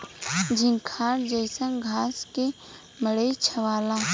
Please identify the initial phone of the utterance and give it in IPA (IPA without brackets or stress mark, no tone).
d͡ʒ